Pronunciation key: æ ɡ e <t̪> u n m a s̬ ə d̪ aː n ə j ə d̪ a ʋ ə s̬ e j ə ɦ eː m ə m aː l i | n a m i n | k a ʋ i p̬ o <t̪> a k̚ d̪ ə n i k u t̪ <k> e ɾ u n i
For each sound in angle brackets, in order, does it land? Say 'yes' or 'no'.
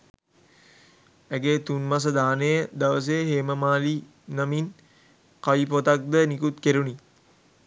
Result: yes, yes, yes

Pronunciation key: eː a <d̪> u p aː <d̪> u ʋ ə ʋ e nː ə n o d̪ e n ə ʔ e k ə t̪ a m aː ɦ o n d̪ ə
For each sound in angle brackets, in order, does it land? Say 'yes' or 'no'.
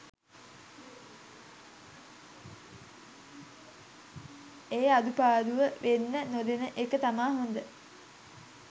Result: yes, yes

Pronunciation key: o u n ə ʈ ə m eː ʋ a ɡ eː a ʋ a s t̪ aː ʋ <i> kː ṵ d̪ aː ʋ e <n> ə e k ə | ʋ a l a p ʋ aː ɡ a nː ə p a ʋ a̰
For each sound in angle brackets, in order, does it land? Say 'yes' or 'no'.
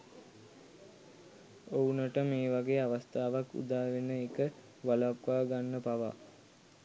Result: no, yes

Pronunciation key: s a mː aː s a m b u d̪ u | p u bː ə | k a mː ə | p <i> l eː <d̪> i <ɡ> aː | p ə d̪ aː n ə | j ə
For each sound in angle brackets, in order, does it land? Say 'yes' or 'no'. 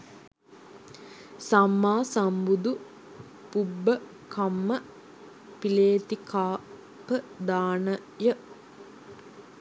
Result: yes, no, no

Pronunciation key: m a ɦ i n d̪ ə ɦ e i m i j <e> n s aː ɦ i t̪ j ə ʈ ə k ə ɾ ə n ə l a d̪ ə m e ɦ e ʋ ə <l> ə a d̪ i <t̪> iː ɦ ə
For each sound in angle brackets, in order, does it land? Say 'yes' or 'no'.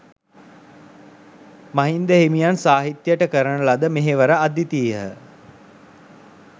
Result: no, no, yes

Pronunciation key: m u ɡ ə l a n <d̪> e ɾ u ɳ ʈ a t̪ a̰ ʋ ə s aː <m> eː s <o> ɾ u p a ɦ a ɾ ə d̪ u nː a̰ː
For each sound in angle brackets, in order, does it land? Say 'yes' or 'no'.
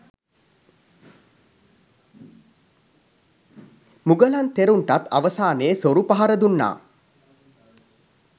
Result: no, no, yes

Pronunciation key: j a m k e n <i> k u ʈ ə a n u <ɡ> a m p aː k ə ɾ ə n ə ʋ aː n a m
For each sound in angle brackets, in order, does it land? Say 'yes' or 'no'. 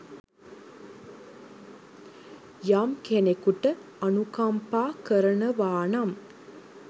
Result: no, no

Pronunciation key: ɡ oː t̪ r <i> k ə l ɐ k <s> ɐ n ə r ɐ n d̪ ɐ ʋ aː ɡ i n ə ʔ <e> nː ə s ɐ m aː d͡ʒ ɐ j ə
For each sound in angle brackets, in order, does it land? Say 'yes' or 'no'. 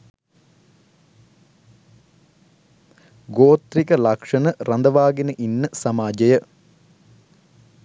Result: yes, no, no

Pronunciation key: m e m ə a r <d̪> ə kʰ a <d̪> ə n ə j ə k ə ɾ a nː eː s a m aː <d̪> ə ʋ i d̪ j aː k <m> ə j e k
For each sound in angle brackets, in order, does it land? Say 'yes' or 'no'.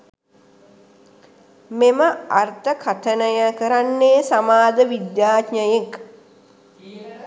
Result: no, no, yes, no

